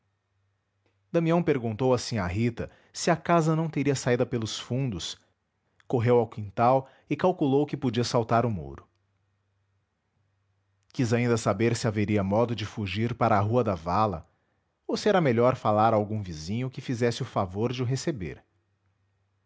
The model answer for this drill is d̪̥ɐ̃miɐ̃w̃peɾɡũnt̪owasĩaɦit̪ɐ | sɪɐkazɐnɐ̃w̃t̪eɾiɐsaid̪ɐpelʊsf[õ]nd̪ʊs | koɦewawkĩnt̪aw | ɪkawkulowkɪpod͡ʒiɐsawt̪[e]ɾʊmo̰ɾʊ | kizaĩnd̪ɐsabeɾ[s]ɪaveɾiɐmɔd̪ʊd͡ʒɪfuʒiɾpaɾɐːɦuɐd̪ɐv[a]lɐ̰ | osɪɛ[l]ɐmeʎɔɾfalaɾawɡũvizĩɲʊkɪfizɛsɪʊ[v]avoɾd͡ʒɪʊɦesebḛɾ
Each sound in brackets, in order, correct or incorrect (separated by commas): incorrect, incorrect, correct, correct, incorrect, incorrect